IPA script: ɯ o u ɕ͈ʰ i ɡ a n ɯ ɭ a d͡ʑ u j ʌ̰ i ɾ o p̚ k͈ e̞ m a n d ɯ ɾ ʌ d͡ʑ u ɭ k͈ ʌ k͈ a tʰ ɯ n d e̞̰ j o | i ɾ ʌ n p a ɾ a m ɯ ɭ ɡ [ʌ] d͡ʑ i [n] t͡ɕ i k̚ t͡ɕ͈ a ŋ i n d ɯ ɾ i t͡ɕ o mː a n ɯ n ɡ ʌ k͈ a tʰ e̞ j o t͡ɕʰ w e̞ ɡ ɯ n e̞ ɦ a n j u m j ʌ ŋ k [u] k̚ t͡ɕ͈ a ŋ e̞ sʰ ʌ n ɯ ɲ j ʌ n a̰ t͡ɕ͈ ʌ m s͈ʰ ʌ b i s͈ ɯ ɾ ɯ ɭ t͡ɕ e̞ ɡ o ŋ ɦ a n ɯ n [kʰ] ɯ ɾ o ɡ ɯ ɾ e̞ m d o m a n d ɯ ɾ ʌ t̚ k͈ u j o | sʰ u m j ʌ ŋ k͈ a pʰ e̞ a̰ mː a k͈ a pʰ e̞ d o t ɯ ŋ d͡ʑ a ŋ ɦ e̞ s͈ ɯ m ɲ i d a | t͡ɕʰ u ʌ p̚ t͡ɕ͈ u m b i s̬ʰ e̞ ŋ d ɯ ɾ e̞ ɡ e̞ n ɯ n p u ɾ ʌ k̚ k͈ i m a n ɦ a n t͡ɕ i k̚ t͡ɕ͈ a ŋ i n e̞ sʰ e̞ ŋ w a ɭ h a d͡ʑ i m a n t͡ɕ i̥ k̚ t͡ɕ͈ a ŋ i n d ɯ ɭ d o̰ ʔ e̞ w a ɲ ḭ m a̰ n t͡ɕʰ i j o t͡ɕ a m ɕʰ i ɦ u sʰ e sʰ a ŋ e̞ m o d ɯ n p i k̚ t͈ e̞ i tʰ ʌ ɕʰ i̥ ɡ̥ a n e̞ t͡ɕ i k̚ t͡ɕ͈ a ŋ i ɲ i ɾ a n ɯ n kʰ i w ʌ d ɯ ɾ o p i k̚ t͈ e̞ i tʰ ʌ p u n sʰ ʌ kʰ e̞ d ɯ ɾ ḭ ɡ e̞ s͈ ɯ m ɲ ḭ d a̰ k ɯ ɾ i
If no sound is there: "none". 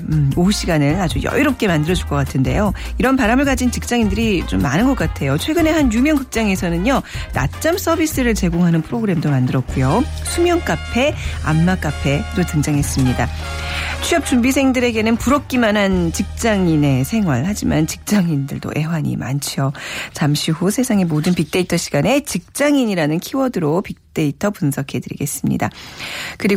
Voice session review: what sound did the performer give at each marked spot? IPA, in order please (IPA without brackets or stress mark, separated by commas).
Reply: a, n, ɯ, pʰ